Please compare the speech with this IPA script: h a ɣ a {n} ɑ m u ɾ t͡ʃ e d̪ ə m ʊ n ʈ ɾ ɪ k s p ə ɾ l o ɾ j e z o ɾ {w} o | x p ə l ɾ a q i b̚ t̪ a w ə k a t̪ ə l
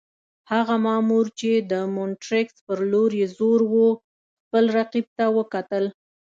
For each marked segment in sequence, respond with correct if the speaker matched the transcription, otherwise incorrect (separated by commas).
incorrect, correct